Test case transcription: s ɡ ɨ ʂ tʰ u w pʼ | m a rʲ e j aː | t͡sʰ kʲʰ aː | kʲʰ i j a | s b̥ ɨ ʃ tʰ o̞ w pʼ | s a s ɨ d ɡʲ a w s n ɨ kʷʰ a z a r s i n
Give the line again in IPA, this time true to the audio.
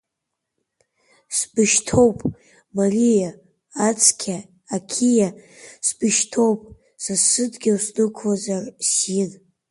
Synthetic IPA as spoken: s b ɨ ʃ tʰ o w pʼ | m a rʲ i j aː | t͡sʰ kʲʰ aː | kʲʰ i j a | s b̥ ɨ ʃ tʰ o̞ w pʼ | s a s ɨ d ɡʲ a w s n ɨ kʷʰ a z a r s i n

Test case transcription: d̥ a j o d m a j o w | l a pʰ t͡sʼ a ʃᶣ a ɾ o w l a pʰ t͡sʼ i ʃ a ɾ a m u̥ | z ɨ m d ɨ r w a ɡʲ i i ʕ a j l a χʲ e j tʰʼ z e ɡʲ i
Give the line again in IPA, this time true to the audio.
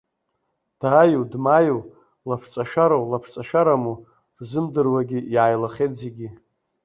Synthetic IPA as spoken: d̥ a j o d m a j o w | l a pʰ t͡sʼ a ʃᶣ a ɾ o w l a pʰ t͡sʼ a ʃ a ɾ a m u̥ | z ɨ m d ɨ r w a ɡʲ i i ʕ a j l a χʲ e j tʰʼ z e ɡʲ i

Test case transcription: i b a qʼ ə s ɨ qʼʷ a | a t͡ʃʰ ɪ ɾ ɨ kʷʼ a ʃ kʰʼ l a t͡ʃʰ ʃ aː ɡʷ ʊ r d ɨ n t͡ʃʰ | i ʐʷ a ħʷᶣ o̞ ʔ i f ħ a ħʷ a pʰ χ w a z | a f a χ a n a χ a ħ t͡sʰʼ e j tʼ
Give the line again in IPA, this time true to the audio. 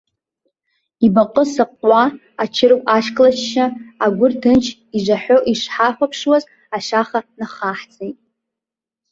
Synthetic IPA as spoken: i b a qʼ ə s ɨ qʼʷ a | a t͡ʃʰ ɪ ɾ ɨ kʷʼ a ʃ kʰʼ l a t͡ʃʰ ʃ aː ɡʷ ʊ r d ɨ n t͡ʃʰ | i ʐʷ a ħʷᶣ o̞ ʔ i ʂ ħ a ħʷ a pʰ ʂ w a z | a ʃ a χ a n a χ a ħ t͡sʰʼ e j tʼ

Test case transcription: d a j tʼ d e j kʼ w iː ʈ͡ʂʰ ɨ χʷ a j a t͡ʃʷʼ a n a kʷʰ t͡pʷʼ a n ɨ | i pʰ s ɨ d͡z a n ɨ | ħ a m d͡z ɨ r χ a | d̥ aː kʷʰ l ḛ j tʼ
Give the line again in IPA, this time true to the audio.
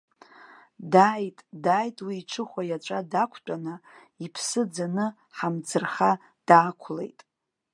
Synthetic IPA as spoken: d a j tʼ d a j tʼ w iː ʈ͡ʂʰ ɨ χʷ a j a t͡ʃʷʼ a d a kʷʰ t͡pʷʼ a n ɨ | i pʰ s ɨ d͡z a n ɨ | ħ a m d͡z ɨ r χ a | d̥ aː kʷʰ l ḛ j tʼ

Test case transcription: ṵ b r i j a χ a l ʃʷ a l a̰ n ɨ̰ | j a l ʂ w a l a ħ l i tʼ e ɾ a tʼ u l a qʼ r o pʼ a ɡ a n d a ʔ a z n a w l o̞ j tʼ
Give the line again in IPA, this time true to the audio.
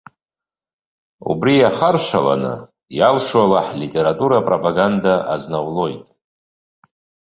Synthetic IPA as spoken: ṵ b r i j a χ a r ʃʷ a l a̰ n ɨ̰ | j a l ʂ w a l a ħ l i tʼ e ɾ a tʼ u ɾ a pʼ r o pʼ a ɡ a n d a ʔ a z n a w l o̞ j tʼ

